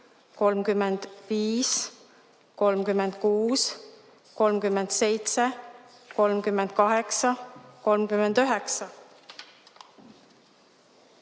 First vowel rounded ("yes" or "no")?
yes